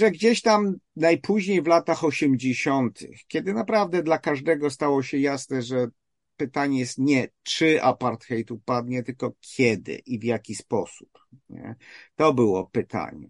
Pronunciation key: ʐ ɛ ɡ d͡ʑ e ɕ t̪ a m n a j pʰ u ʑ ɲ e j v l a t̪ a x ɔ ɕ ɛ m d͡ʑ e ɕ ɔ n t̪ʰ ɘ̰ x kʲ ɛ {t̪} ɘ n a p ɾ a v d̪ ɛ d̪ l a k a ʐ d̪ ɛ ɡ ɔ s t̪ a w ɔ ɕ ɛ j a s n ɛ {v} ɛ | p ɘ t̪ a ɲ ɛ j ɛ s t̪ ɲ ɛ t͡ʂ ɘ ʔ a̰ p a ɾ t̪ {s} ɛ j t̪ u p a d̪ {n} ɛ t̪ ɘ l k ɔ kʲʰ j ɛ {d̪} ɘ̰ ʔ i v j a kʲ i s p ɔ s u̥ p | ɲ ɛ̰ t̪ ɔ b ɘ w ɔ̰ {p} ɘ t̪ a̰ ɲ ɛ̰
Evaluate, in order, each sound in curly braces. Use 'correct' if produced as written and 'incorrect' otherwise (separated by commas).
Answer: incorrect, incorrect, incorrect, incorrect, correct, correct